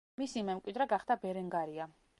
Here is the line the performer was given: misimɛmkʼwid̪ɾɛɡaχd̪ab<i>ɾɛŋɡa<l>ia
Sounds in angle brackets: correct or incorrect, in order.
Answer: incorrect: ɛ, incorrect: ɾ

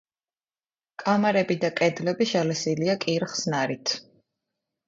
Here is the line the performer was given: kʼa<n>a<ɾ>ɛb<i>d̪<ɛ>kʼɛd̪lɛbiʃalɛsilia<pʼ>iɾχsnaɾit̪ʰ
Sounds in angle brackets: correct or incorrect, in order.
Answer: incorrect: m, correct, correct, incorrect: a, incorrect: kʼ

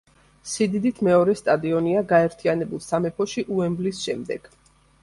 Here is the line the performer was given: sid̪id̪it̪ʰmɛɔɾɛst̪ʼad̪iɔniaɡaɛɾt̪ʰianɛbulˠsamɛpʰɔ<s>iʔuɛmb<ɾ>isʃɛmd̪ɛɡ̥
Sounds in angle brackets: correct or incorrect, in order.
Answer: incorrect: ʃ, incorrect: l

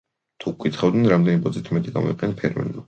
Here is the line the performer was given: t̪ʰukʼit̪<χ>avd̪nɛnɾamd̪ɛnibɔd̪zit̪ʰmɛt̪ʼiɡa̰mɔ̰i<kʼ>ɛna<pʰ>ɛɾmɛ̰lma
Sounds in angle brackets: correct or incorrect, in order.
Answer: correct, incorrect: qʼ, correct

